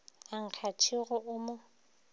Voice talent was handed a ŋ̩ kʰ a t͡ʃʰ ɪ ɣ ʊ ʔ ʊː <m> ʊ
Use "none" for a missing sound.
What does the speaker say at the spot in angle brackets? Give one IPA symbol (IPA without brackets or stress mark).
m